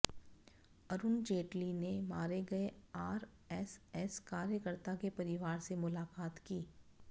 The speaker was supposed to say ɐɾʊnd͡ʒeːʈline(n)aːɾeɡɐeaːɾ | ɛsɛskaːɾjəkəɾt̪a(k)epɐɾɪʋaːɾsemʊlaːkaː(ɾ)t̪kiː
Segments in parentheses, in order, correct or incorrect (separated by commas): incorrect, correct, incorrect